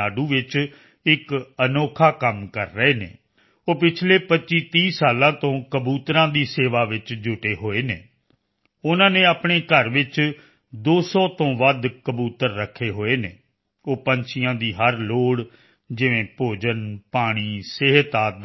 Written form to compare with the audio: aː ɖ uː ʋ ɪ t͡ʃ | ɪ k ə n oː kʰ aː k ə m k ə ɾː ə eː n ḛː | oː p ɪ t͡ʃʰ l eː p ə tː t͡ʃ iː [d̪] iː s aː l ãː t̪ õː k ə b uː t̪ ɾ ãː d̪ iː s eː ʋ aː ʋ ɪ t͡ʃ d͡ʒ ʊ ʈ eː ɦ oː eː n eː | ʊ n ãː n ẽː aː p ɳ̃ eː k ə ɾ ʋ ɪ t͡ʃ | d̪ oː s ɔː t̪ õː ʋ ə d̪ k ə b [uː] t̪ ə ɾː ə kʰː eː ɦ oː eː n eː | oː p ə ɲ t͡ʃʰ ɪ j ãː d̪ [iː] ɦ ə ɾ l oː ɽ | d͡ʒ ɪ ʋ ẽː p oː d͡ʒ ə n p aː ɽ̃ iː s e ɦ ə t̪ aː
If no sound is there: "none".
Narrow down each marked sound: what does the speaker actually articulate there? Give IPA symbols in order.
t̪, uː, iː

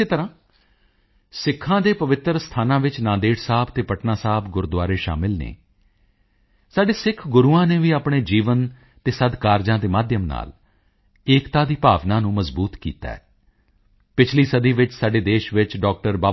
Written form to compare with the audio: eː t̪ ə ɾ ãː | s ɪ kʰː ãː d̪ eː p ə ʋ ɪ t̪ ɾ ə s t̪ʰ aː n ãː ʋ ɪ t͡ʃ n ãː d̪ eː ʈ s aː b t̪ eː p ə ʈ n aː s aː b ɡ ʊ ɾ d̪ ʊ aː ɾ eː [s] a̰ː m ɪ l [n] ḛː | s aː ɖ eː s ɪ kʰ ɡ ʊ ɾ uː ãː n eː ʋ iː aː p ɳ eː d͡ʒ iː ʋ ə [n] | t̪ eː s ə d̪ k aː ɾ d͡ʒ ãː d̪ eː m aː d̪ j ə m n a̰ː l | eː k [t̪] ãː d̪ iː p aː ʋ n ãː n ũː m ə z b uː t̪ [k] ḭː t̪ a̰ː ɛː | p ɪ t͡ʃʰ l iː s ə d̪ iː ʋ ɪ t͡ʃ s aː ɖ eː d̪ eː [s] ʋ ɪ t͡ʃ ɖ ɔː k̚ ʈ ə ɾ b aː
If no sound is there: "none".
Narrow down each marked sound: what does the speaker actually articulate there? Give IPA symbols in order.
ʃ, n, n, t̪, k, ʃ

